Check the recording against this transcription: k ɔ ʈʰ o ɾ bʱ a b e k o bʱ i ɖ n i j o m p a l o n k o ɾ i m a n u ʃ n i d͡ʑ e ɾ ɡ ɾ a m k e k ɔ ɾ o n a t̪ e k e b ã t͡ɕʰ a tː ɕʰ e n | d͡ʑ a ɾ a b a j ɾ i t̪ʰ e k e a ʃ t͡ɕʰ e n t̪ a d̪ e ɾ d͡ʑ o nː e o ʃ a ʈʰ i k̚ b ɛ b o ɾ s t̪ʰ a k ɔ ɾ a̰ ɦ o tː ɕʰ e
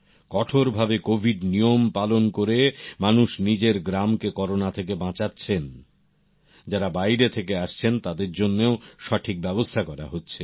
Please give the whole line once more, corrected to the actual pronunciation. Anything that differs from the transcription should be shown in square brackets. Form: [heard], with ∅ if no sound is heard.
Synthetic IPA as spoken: k ɔ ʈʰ o ɾ bʱ a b e k o bʱ i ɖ n i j o m p a l o n k o ɾ [e] m a n u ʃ n i d͡ʑ e ɾ ɡ ɾ a m k e k ɔ ɾ o n a [t̪ʰ] e k e b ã [t͡ɕ] a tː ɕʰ e n | d͡ʑ a ɾ a b a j ɾ [e] t̪ʰ e k e a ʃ t͡ɕʰ e n t̪ a d̪ e ɾ d͡ʑ o nː e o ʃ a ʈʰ i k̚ b ɛ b o [∅] s t̪ʰ a k ɔ ɾ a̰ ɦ o tː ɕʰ e

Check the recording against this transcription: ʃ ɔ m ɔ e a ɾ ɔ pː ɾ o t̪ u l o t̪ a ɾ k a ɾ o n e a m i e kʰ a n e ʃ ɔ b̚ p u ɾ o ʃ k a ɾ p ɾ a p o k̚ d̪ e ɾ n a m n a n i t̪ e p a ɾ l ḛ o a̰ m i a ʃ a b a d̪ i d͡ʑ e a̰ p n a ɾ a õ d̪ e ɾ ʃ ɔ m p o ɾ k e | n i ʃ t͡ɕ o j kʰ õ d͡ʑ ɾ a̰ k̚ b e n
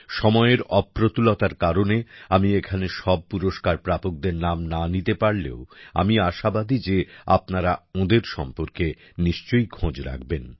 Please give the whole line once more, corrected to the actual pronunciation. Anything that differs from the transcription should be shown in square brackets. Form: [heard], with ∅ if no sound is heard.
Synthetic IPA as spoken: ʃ ɔ m ɔ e [e] ɾ ɔ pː ɾ o t̪ u l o t̪ a ɾ k a ɾ o n e a m i e kʰ a n e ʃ ɔ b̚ p u ɾ o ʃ k a ɾ p ɾ a p o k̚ d̪ e ɾ n a m n a n i t̪ e p a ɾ l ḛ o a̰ m i a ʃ a b a d̪ i d͡ʑ e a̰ p n a ɾ a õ d̪ e ɾ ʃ ɔ m p o ɾ k e | n i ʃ t͡ɕ o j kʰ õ d͡ʑ ɾ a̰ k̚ b e n

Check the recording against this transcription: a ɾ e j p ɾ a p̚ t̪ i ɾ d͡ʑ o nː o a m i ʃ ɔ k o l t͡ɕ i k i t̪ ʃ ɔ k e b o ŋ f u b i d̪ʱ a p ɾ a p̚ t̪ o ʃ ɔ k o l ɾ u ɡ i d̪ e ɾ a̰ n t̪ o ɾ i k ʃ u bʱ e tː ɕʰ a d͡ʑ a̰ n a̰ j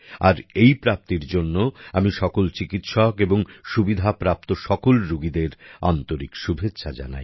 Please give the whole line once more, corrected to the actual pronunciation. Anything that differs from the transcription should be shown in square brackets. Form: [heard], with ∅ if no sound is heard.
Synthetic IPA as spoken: a ɾ e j p ɾ a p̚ t̪ i ɾ d͡ʑ o nː o a m i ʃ ɔ k o l t͡ɕ i k i t̪ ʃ ɔ k e b o ŋ [ʃ] u b i d̪ʱ a p ɾ a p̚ t̪ o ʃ ɔ k o l ɾ u ɡ i d̪ e ɾ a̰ n t̪ o ɾ i k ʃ u bʱ e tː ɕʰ a d͡ʑ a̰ n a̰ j

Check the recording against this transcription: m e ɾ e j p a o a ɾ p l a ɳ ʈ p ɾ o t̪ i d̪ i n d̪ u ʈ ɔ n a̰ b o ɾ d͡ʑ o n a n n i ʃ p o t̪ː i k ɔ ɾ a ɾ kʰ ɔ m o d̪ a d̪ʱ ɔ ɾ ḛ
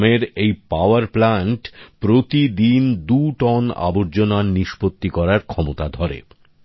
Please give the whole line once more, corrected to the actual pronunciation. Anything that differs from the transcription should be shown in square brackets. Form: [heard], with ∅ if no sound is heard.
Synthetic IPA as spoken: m e ɾ e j p a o a ɾ p l a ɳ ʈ p ɾ o t̪ i d̪ i n d̪ u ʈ ɔ n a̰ b o ɾ d͡ʑ o n a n n i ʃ p o t̪ː i k ɔ ɾ a ɾ kʰ ɔ m o [t̪] a d̪ʱ ɔ ɾ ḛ

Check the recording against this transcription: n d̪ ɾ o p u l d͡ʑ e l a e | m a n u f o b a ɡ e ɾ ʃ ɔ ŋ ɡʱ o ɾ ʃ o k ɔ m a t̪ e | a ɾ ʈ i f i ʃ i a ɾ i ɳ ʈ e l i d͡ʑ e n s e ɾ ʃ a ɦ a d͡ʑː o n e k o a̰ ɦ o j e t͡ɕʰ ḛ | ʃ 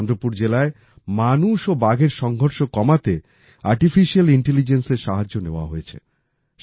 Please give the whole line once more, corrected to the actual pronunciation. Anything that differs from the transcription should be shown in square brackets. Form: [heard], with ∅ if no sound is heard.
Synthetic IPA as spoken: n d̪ ɾ o p u [ɾ] d͡ʑ e l a e | m a n u [ʃ] o b a ɡ e ɾ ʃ ɔ ŋ ɡʱ o ɾ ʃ o k ɔ m a t̪ e | a ɾ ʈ i f i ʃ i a [l] i ɳ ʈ e l i d͡ʑ e n s e ɾ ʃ a ɦ a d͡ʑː o n e [∅] o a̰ ɦ o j e t͡ɕʰ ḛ | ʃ

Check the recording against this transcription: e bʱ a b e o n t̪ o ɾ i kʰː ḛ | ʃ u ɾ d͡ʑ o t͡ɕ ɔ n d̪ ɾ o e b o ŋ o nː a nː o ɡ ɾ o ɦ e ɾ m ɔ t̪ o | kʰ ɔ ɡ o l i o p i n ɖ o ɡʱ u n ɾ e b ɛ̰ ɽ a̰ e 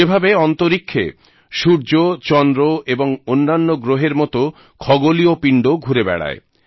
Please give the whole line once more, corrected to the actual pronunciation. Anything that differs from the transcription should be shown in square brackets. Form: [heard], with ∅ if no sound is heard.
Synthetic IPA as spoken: e bʱ a b e [ɔ] n t̪ o ɾ i kʰː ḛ | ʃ u ɾ d͡ʑ o t͡ɕ ɔ n d̪ ɾ o e b o ŋ o nː a nː o ɡ ɾ o ɦ e ɾ m ɔ t̪ o | kʰ ɔ ɡ o l i o p i [ɳ] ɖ o ɡʱ u [∅] ɾ e b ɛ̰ ɽ a̰ e

